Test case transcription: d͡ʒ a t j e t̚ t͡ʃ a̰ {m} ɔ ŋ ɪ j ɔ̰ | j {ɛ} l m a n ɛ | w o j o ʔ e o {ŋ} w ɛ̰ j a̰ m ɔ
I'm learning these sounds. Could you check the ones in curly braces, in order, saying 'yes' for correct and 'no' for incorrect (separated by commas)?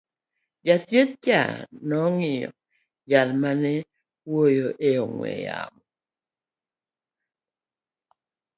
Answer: no, no, yes